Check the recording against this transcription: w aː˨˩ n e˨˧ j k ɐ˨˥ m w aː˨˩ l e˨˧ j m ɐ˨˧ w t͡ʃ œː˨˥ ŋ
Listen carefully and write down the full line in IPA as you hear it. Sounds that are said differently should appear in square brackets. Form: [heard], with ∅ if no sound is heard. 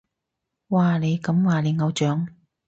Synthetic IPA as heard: w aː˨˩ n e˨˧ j k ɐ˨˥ m w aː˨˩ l e˨˧ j [ŋ] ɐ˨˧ w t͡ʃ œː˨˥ ŋ